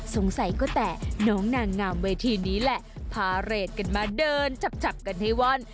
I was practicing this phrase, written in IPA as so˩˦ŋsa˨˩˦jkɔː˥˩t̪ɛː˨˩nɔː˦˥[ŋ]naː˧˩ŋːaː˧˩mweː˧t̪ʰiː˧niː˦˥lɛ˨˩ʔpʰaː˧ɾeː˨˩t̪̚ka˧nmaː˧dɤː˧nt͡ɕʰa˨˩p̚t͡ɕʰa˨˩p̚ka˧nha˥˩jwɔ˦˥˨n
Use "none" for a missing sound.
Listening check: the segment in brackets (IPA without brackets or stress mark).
ŋ